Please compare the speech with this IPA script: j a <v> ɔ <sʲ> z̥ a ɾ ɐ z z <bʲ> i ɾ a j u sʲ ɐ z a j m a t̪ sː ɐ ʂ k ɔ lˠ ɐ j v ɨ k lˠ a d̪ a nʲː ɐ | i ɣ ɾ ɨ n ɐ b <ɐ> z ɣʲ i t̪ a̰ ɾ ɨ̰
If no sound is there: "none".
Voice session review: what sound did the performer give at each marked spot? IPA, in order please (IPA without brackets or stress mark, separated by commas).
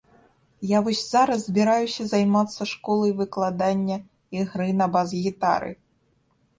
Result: v, sʲ, bʲ, a